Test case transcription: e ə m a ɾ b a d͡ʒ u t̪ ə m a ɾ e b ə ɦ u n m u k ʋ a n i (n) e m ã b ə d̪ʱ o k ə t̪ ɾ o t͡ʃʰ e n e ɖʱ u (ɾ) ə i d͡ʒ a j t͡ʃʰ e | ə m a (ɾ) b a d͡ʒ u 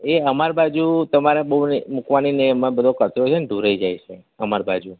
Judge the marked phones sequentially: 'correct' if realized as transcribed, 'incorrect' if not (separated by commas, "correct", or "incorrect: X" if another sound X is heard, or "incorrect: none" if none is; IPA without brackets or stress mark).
correct, correct, correct